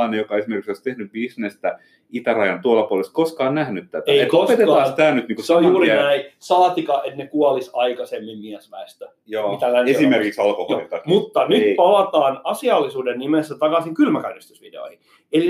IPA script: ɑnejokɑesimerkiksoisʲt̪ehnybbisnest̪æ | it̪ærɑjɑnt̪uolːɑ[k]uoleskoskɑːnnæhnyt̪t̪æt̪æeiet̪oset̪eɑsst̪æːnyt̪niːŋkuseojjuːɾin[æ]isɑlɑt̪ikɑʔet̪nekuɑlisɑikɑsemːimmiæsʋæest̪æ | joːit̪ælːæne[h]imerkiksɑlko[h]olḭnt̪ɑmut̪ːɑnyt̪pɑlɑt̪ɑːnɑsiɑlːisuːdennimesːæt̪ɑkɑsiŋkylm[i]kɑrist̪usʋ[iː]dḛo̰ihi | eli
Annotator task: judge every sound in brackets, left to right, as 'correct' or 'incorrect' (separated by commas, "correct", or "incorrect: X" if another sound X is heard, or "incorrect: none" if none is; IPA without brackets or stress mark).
incorrect: p, correct, incorrect: s, correct, incorrect: æ, incorrect: i